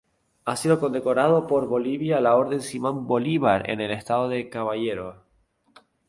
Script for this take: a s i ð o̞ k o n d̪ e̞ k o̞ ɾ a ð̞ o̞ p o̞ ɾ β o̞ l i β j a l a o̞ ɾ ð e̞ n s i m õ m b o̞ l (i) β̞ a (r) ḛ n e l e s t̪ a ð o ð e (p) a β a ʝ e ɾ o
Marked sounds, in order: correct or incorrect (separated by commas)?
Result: correct, incorrect, incorrect